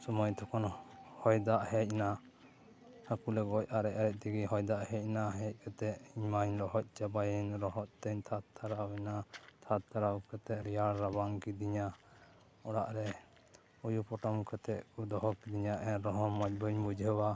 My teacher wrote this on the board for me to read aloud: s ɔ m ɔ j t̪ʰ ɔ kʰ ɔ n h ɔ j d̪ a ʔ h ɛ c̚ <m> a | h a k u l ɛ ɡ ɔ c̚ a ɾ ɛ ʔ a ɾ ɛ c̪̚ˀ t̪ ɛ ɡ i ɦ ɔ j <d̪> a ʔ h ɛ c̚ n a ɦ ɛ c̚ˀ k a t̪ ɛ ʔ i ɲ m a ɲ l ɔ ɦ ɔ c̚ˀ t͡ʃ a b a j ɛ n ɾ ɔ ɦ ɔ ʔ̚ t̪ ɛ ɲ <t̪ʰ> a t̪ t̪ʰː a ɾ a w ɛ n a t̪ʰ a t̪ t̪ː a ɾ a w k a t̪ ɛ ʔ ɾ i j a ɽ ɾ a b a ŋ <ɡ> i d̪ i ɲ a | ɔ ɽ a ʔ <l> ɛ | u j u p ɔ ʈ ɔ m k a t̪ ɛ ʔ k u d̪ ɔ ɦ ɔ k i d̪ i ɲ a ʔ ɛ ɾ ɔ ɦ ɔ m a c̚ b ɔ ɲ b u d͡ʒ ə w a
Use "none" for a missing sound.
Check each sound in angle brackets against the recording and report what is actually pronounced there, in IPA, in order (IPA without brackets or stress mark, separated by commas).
n, d̪, t̪ʰ, k, ɾ